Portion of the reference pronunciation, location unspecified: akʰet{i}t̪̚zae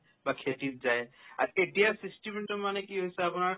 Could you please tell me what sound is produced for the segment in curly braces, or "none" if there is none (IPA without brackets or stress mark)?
i